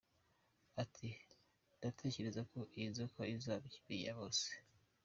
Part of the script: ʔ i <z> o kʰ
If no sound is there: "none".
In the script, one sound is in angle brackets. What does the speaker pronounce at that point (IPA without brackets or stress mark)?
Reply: z